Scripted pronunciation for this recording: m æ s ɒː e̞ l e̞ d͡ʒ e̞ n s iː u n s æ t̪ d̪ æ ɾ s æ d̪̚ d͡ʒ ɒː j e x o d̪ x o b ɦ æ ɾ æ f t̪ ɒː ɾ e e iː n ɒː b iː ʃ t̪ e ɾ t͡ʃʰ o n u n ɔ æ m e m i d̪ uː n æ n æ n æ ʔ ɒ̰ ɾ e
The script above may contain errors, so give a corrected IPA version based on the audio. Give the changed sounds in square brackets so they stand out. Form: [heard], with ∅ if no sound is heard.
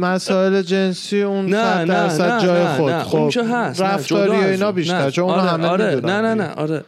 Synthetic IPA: m æ s ɒː e̞ l e̞ d͡ʒ e̞ n s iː u n s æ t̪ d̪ æ ɾ s æ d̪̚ d͡ʒ ɒː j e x o d̪ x o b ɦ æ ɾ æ f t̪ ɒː ɾ [i] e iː n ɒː b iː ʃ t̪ [æ] ɾ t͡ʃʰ o n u n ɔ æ m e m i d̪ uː n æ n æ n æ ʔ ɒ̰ ɾ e